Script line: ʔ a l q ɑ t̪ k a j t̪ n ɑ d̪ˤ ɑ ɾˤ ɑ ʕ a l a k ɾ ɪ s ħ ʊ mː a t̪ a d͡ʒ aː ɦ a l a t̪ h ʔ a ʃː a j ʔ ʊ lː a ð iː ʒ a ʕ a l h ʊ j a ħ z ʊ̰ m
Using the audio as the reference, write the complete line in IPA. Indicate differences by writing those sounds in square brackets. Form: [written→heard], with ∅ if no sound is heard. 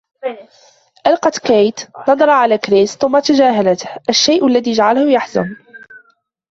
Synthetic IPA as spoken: ʔ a l q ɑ t̪ k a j t̪ n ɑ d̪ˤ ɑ ɾˤ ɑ ʕ a l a k ɾ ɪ s [ħ→θ] ʊ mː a t̪ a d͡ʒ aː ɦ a l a t̪ h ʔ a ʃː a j ʔ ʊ lː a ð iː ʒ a ʕ a l h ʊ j a ħ z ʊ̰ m